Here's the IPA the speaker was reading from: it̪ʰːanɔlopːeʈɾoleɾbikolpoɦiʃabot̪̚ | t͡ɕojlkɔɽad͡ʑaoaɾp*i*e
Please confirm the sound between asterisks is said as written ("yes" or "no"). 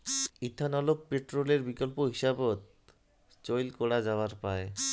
no